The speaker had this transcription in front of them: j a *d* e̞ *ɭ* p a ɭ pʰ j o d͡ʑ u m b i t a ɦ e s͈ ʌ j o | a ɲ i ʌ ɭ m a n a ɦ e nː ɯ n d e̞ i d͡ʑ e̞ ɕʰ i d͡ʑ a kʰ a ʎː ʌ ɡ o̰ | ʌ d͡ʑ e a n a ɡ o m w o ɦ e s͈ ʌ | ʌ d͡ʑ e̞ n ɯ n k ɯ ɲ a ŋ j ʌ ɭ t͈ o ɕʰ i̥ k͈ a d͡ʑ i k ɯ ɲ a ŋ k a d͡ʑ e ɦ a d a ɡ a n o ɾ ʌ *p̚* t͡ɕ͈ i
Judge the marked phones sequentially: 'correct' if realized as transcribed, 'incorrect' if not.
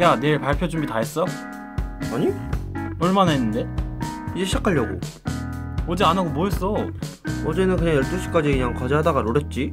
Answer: incorrect, correct, incorrect

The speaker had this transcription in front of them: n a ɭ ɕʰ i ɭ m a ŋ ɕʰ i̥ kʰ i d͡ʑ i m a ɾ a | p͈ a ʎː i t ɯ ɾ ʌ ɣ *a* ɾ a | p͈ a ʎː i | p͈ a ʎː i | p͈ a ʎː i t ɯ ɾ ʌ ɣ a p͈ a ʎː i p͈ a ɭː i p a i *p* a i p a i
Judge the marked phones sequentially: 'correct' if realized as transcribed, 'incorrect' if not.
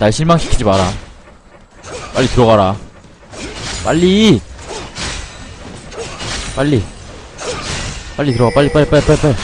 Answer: correct, correct

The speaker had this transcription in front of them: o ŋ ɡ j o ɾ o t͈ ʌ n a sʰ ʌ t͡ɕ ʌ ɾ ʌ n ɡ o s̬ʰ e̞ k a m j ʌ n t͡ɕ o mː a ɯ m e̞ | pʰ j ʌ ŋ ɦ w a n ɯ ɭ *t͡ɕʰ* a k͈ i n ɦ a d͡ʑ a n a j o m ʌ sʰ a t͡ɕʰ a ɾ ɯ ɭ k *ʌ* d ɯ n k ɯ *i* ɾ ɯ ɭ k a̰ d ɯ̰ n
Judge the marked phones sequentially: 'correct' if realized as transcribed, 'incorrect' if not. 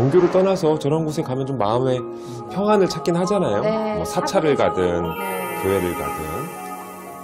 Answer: correct, incorrect, incorrect

